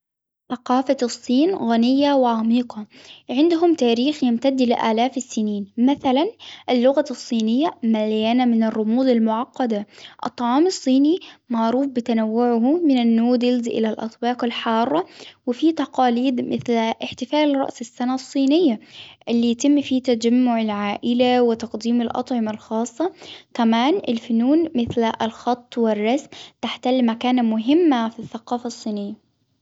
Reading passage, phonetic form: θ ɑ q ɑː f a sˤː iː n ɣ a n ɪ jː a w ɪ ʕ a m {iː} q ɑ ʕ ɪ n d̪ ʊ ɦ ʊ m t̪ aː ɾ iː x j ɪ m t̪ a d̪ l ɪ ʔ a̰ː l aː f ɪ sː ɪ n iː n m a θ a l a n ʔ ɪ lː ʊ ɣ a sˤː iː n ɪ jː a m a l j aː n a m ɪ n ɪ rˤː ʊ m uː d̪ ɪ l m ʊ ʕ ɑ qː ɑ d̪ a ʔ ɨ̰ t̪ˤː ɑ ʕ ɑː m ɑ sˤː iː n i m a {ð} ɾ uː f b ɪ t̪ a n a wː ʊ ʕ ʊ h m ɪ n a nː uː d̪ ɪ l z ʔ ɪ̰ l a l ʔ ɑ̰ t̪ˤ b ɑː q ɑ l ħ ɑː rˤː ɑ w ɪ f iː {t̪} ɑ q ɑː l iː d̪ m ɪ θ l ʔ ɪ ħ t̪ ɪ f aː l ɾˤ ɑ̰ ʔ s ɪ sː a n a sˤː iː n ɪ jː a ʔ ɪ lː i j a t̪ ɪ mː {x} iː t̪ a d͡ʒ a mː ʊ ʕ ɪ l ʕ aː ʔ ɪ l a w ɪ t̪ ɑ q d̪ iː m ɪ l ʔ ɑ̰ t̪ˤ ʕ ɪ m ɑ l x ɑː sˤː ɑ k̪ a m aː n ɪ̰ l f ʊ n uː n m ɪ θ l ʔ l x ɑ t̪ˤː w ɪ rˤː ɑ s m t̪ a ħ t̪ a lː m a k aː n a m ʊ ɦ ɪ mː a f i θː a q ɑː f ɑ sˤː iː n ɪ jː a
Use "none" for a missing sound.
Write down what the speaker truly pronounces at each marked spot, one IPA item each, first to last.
iː, ʕ, t̪, f

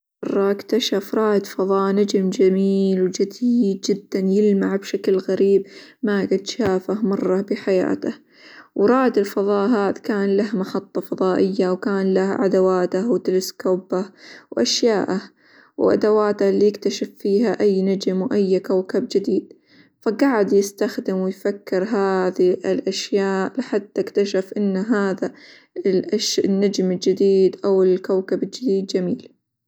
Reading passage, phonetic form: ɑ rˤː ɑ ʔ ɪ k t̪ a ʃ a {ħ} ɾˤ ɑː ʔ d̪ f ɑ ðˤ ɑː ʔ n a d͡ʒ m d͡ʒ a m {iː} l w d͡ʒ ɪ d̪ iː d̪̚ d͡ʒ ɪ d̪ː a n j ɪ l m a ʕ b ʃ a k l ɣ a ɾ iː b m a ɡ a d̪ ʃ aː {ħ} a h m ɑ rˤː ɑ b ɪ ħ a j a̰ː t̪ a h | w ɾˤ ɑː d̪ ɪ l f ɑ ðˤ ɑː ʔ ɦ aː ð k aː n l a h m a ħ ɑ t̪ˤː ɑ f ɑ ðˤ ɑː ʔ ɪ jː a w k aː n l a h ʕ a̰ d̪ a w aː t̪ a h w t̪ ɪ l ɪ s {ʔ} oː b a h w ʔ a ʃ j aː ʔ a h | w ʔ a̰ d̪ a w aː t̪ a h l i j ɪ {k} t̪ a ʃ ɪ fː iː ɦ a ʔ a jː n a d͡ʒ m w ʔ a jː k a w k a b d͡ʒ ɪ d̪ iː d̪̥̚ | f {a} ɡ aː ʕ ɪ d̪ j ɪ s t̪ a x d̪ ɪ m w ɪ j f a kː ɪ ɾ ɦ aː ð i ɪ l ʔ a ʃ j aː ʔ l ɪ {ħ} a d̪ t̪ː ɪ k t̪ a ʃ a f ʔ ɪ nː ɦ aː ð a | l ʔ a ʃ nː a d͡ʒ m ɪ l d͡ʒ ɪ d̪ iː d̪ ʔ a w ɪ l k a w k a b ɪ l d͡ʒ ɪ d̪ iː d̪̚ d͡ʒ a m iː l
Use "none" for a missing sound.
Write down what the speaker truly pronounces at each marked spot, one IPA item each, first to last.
f, iː, f, k, k, a, ħ

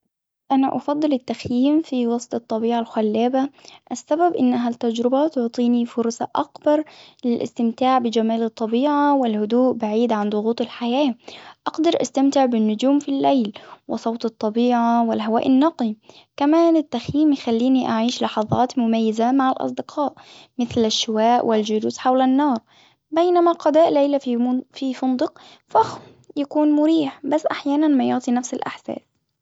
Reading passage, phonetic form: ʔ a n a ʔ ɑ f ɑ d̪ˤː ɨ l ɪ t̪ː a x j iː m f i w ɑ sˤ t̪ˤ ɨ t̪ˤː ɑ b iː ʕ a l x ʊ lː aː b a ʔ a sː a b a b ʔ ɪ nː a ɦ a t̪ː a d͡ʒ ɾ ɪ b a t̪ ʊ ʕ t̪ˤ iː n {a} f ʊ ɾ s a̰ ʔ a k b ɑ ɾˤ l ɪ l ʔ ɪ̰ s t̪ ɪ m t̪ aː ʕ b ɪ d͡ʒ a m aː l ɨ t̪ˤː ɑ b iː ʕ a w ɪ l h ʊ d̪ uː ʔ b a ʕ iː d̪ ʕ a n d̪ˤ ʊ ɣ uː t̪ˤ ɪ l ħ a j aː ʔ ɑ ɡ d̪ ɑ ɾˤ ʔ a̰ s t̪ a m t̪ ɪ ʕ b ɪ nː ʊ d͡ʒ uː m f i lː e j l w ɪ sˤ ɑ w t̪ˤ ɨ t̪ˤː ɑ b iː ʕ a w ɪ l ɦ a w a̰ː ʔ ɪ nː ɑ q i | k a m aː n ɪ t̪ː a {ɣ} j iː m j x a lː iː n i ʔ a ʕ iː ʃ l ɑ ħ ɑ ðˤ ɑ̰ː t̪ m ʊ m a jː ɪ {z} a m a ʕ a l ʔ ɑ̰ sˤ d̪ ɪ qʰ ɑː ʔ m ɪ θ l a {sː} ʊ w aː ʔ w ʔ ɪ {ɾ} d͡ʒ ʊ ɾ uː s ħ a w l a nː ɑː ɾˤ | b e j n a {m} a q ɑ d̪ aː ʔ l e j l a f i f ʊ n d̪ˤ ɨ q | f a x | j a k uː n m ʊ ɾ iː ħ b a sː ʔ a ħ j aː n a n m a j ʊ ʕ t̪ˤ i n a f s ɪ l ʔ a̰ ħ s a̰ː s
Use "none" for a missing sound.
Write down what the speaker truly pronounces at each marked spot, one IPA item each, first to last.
i, x, z, ʃː, l, m

